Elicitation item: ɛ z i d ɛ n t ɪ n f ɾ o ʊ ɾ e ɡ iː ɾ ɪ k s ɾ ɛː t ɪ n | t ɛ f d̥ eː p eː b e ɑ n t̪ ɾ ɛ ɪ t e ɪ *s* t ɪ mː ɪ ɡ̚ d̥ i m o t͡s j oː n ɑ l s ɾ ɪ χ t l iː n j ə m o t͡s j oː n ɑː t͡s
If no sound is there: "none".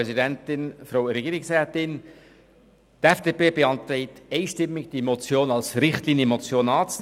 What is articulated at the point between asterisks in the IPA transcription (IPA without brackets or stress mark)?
ʃ